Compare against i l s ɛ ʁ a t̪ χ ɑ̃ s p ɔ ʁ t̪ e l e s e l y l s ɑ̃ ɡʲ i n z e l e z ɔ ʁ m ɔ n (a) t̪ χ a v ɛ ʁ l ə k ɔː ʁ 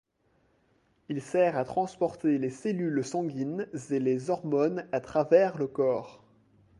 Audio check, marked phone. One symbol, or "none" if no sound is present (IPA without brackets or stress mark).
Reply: a